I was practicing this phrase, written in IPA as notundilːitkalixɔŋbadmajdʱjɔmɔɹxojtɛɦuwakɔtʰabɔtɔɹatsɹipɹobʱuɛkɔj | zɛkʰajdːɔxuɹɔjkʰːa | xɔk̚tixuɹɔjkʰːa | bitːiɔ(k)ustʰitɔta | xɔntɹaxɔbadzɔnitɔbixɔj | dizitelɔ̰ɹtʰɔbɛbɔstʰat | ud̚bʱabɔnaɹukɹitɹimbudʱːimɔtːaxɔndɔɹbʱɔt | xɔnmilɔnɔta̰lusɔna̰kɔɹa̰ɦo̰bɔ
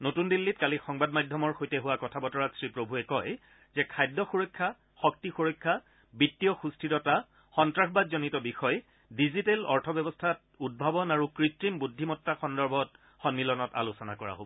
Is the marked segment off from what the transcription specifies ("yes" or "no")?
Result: yes